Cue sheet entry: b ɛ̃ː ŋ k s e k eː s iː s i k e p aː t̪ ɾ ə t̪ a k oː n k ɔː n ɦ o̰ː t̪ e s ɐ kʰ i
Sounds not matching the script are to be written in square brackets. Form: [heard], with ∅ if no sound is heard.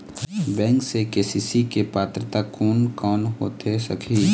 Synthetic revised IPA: b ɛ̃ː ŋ k s e k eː s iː s i k e p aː t̪ ɾ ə t̪ a k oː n k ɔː n ɦ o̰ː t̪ e s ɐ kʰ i